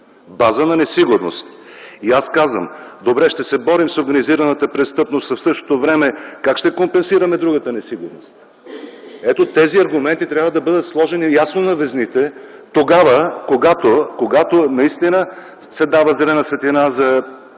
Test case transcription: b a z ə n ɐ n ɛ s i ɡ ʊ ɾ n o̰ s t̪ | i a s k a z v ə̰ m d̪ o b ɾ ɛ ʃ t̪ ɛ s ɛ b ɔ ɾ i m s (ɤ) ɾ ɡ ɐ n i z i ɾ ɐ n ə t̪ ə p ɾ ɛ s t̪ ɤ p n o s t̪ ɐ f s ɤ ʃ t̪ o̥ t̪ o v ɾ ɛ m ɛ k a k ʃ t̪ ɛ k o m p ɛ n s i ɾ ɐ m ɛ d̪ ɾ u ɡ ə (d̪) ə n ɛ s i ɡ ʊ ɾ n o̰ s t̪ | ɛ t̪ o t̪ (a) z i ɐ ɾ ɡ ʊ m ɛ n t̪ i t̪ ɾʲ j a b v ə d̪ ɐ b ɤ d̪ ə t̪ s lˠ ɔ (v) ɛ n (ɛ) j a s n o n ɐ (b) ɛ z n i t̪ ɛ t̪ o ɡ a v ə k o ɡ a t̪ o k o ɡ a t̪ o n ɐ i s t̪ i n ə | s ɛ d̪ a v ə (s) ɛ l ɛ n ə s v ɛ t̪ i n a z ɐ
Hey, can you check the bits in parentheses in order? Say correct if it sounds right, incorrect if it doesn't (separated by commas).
incorrect, incorrect, incorrect, incorrect, incorrect, incorrect, incorrect